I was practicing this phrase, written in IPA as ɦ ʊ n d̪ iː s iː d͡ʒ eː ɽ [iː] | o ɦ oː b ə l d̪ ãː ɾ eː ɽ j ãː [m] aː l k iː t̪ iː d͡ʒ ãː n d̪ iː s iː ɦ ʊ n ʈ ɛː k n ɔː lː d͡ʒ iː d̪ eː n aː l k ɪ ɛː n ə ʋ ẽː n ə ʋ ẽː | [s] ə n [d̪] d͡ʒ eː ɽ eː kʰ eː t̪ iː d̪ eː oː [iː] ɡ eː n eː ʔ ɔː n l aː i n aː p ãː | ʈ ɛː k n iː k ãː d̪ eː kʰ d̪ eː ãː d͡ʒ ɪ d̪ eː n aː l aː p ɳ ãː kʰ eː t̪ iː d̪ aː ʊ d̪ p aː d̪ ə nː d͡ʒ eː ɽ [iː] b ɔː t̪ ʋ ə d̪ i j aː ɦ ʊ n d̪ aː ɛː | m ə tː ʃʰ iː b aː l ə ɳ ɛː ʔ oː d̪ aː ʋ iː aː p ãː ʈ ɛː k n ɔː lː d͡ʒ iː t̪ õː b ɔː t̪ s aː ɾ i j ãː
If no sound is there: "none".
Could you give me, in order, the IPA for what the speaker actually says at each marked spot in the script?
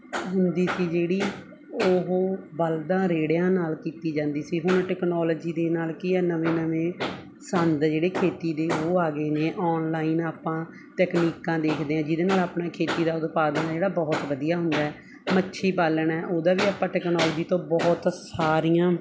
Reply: iː, n, s, d̪, aː, aː

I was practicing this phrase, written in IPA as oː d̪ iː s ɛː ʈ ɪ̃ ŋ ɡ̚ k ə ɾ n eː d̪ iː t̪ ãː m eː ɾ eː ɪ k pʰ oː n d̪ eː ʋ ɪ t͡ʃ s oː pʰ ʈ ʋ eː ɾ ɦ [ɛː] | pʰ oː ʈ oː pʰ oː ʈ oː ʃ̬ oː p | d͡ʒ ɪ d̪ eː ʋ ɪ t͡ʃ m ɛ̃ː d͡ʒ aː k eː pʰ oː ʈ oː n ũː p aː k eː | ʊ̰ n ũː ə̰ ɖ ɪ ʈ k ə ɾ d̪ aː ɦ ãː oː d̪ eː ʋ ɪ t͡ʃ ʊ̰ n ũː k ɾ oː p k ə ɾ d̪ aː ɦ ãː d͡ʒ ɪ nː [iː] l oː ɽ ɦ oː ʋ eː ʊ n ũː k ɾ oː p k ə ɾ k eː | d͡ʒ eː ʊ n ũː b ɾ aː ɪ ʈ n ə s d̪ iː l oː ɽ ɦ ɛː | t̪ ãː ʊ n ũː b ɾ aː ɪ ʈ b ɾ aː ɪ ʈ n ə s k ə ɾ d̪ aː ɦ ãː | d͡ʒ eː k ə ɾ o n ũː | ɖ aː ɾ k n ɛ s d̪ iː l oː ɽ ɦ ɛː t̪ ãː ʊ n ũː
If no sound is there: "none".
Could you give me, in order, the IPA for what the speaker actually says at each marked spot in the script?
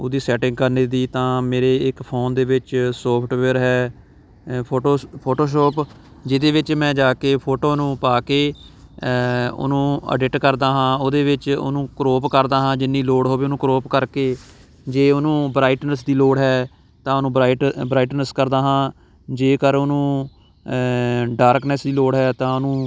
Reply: ɛː, iː

